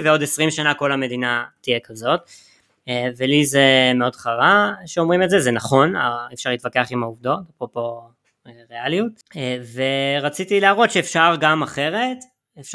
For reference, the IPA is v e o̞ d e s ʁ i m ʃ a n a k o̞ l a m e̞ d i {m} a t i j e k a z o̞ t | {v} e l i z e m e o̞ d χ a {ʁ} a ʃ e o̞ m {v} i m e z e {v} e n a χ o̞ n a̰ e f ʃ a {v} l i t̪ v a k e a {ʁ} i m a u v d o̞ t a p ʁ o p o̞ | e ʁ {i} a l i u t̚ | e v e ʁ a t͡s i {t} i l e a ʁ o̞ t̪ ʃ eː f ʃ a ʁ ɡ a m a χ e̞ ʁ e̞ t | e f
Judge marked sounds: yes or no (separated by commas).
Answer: no, yes, yes, no, no, no, no, no, yes